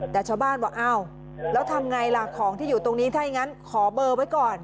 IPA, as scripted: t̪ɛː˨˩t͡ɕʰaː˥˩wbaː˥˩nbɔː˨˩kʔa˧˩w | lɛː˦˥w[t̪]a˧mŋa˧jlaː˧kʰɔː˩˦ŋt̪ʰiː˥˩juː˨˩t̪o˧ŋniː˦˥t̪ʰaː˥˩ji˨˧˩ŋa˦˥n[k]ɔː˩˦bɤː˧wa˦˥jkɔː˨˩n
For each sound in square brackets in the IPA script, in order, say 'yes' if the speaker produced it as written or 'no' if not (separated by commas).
no, no